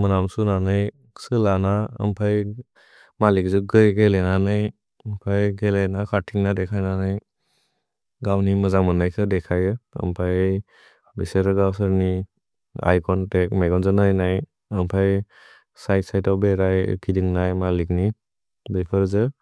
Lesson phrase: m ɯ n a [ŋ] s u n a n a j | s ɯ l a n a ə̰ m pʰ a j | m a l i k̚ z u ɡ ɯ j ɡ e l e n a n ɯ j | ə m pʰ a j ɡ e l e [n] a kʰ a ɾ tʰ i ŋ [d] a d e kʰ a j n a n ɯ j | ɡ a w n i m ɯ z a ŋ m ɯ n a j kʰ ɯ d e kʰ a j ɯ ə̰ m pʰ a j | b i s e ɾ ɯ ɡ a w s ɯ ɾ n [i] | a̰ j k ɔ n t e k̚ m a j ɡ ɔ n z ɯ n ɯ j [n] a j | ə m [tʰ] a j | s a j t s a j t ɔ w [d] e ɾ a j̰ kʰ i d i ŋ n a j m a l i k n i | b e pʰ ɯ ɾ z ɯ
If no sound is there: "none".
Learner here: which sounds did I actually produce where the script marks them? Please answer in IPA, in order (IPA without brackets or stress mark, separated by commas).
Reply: m, n, n, i, n, pʰ, b